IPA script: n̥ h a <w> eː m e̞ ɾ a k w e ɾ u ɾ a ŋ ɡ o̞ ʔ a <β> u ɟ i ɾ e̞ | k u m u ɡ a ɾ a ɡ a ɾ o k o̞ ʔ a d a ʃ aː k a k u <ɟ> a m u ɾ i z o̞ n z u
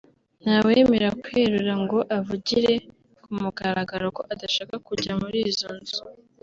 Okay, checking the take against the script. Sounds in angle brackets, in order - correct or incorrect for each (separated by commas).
correct, incorrect, correct